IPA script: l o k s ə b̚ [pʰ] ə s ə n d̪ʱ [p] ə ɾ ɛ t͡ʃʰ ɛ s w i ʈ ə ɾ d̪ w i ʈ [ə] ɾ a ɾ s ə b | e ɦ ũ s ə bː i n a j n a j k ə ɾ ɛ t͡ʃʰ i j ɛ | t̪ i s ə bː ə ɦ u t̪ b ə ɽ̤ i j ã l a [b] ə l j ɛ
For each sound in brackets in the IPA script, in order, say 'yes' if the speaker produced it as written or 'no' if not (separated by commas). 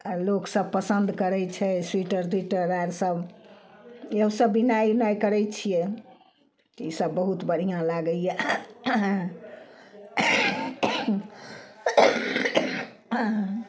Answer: no, no, yes, no